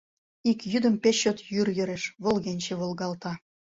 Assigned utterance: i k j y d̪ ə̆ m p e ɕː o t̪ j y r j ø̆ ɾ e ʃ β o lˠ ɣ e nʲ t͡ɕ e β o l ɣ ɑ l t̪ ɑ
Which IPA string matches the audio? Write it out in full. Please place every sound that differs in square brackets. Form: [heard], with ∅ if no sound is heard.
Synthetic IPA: i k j y d̪ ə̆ m p e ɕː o t̪ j y r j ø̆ ɾ e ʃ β o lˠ ɣ e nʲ t͡ɕ e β o l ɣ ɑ l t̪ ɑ